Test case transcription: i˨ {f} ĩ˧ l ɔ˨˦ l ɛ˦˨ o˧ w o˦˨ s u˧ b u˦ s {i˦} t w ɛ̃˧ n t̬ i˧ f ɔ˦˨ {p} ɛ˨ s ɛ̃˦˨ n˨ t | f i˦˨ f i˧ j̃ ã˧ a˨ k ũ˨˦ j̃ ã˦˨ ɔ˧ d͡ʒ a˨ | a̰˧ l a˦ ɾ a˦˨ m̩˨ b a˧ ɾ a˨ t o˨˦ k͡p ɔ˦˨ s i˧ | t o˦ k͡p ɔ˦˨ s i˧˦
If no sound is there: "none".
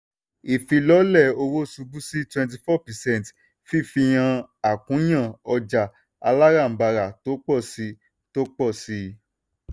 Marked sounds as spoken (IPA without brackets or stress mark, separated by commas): f, i˦, p